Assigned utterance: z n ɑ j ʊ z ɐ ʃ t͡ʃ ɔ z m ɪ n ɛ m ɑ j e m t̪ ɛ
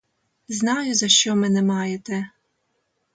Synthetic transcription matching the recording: z n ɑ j ʊ z ɐ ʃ t͡ʃ ɔ m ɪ n ɛ m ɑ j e t̪ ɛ